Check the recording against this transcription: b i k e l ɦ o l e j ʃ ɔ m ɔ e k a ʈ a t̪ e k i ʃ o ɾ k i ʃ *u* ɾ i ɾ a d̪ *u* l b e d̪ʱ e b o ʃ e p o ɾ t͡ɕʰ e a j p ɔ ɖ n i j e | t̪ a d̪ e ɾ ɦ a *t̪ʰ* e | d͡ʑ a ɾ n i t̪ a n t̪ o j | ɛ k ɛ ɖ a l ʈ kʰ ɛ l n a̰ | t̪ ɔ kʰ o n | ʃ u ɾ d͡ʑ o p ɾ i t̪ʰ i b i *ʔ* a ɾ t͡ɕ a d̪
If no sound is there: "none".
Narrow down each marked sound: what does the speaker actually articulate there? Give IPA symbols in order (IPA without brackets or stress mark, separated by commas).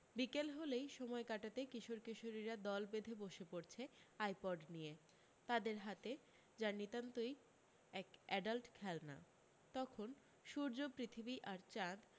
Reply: o, ɔ, t̪, ʔ